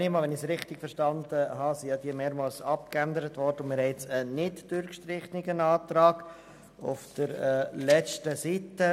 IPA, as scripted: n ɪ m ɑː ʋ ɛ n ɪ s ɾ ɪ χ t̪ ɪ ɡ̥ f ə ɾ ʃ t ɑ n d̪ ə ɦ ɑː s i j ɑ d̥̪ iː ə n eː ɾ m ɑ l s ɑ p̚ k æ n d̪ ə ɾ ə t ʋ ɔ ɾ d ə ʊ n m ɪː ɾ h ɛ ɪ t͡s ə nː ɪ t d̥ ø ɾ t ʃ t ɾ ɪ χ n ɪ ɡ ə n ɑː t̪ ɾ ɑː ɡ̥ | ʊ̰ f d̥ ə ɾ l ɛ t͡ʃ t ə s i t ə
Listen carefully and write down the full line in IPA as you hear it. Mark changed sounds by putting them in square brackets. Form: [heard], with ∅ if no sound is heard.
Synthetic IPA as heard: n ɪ m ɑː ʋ ɛ n ɪ s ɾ ɪ χ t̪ ɪ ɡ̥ f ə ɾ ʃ t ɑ n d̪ ə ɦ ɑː s i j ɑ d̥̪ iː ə [m] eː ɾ m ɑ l s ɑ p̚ k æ n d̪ ə ɾ ə t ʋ ɔ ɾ d ə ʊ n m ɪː ɾ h ɛ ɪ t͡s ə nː ɪ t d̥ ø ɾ [k] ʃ t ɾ ɪ χ n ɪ ɡ ə n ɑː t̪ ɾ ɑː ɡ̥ | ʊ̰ f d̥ ə ɾ l ɛ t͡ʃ t ə s i t ə